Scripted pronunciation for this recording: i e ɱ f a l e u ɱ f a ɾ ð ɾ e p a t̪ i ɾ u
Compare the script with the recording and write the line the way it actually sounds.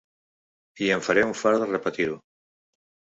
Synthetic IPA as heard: i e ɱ f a ɾ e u ɱ f a ɾ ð r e p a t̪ i ɾ u